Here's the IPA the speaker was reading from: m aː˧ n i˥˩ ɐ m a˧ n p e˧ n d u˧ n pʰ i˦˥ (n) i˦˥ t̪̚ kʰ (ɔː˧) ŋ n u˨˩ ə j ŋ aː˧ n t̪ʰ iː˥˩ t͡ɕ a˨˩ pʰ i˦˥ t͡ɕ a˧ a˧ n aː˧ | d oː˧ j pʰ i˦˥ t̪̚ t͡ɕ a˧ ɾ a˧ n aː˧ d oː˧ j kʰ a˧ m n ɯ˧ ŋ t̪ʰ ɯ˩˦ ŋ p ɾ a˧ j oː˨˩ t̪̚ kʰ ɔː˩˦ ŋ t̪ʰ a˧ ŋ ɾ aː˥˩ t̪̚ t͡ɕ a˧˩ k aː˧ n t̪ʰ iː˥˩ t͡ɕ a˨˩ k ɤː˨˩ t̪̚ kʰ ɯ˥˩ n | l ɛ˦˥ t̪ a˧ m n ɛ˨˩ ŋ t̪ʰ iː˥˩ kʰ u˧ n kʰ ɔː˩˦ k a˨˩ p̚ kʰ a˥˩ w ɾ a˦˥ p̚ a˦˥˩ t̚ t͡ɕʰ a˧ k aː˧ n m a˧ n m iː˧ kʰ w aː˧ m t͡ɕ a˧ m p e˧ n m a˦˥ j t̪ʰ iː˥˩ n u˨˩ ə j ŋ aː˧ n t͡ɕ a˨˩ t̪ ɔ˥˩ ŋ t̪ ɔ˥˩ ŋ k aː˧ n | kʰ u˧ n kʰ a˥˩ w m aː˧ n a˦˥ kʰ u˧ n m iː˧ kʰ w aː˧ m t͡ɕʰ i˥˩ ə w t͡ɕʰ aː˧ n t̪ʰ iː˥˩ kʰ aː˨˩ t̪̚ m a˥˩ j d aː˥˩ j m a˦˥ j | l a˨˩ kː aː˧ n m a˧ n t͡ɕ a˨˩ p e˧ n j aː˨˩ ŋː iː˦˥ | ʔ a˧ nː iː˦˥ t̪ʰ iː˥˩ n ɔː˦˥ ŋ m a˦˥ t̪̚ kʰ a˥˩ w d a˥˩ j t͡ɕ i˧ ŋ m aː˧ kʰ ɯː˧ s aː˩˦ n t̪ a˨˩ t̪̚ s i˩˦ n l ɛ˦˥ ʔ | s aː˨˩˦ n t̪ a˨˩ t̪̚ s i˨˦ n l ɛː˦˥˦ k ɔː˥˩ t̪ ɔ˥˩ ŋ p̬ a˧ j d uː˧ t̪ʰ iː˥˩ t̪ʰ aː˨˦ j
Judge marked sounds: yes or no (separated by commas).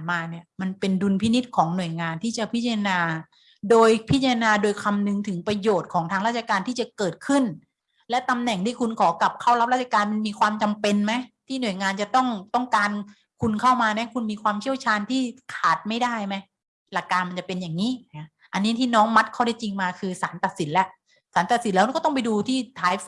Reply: yes, no